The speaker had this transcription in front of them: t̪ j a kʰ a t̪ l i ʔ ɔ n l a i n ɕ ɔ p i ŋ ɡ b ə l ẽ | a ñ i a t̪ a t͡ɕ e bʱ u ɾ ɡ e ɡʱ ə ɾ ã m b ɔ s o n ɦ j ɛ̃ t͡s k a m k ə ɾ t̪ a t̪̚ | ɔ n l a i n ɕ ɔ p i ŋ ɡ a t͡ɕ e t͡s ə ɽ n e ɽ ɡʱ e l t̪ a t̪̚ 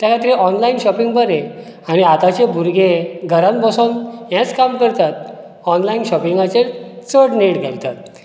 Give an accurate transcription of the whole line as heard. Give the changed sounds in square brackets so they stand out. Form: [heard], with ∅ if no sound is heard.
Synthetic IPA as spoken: t̪ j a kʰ a t̪ [ɾ] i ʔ ɔ n l a i n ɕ ɔ p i ŋ ɡ b ə [ɾ] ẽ | a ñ i a t̪ a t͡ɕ e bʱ u ɾ ɡ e ɡʱ ə ɾ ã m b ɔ s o n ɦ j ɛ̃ t͡s k a m k ə ɾ t̪ a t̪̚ | ɔ n l a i n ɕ ɔ p i ŋ ɡ a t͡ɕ e t͡s ə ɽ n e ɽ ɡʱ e l t̪ a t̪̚